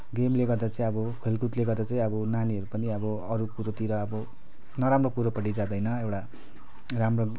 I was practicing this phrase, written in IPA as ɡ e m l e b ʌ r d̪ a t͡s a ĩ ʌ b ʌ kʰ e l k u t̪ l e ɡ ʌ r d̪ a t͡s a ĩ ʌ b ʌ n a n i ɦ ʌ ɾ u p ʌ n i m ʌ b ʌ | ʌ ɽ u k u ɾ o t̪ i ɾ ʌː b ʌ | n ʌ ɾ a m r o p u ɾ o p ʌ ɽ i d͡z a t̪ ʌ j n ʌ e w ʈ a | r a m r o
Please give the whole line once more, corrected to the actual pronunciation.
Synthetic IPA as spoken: ɡ e m l e ɡ ʌ r d̪ a t͡s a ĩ ʌ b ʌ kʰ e l k u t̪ l e ɡ ʌ r d̪ a t͡s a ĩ ʌ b ʌ n a n i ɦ ʌ ɾ u p ʌ n i ʌ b ʌ | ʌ ɾ u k u ɾ o t̪ i ɾ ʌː b ʌ | n ʌ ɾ a m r o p u ɾ o p ʌ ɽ i d͡z a d̪ ʌ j n ʌ e w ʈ a | r a m r o

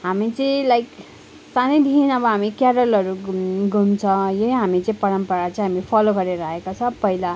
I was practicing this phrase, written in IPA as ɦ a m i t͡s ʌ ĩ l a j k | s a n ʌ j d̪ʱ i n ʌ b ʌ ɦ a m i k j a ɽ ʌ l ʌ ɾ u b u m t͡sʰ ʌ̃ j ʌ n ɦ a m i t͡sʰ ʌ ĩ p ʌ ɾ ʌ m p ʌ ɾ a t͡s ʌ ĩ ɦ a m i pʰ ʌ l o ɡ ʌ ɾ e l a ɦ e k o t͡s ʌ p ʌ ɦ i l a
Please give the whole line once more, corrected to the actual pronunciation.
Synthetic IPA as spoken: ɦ a m i t͡s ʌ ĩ l a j k | s a n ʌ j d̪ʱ i n ʌ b ʌ ɦ a m i k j a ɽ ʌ l ʌ ɾ u ɡ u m t͡sʰ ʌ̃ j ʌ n ɦ a m i t͡s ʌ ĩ p ʌ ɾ ʌ m p ʌ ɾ a t͡s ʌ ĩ ɦ a m i pʰ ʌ l o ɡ ʌ ɾ e ɾ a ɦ e k o t͡sʰ ʌ p ʌ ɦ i l a

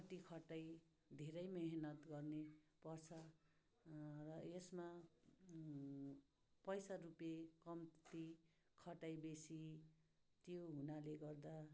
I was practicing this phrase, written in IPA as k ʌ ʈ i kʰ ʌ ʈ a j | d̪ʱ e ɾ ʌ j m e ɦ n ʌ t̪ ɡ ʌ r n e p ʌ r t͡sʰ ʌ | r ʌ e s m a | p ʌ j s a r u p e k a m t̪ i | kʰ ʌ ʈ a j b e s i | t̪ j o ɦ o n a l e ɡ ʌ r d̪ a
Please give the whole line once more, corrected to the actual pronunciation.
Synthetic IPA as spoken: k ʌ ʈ i kʰ ʌ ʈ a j | d̪ʱ e ɾ ʌ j m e ɦ n ʌ t̪ ɡ ʌ r n e p ʌ r t͡sʰ ʌ | r ʌ e s m a | p ʌ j s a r u p e k ʌ m t̪ i | kʰ ʌ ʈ a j b e s i | t̪ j o ɦ u n a l e ɡ ʌ r d̪ a

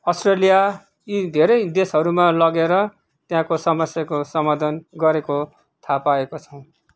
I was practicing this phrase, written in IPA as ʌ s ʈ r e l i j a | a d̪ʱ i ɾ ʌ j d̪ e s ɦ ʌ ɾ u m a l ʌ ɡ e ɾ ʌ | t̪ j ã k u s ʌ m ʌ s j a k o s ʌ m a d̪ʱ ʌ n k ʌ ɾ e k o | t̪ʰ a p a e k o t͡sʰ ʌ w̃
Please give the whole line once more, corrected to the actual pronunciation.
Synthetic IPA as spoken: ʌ s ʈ r e l i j a | i d̪ʱ e ɾ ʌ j d̪ e s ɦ ʌ ɾ u m a l ʌ ɡ e ɾ ʌ | t̪ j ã k o s ʌ m ʌ s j a k o s ʌ m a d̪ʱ ʌ n ɡ ʌ ɾ e k o | t̪ʰ a p a e k o t͡sʰ ʌ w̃

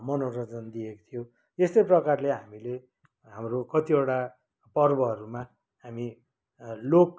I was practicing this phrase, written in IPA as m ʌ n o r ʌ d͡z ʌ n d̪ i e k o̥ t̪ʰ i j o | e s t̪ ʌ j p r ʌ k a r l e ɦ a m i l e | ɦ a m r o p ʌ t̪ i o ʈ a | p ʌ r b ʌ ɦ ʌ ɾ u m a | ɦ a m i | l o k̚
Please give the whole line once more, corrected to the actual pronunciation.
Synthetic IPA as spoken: m ʌ n o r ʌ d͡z ʌ n d̪ i e k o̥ t̪ʰ i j o | e s t̪ ʌ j p r ʌ k a r l e ɦ a m i l e | ɦ a m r o k ʌ t̪ i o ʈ a | p ʌ r b ʌ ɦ ʌ ɾ u m a | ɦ a m i | l o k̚

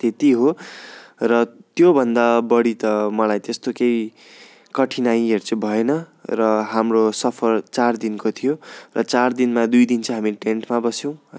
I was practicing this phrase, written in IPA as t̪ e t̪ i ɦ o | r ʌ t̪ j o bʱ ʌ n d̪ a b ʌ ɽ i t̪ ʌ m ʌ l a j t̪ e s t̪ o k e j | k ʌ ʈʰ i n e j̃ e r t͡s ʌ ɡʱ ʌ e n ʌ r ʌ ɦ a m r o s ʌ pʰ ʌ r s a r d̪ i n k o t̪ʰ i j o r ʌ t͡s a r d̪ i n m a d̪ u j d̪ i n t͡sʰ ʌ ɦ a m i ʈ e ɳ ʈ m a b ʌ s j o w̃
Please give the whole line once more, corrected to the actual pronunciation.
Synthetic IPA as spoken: t̪ e t̪ i ɦ o | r ʌ t̪ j o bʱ ʌ n d̪ a b ʌ ɽ i t̪ ʌ m ʌ l a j t̪ e s t̪ o k e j | k ʌ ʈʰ i n a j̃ e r t͡s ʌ bʱ ʌ e n ʌ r ʌ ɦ a m r o s ʌ pʰ ʌ r t͡s a r d̪ i n k o t̪ʰ i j o r ʌ t͡s a r d̪ i n m a d̪ u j d̪ i n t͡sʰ ʌ ɦ a m i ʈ e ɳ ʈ m a b ʌ s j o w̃

